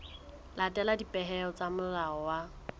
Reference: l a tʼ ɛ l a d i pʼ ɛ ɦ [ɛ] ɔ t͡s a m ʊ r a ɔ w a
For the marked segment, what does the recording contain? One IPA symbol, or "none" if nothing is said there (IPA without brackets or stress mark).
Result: ɛ